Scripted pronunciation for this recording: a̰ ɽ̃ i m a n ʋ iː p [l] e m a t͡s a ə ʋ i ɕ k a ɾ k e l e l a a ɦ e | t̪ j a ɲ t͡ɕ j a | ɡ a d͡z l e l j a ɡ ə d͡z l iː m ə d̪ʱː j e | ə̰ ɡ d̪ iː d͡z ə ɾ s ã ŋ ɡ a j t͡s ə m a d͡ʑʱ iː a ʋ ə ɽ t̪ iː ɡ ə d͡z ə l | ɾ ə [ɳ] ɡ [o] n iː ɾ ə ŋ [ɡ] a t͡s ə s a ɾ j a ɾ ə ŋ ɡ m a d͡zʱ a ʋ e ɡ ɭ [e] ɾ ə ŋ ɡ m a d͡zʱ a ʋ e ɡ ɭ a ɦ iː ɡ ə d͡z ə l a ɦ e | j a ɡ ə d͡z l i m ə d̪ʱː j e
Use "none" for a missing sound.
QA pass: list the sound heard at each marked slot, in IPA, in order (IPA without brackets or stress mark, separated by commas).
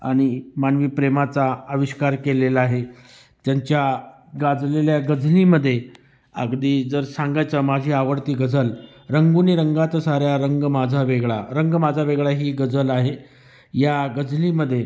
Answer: ɾ, ŋ, u, ɡ, a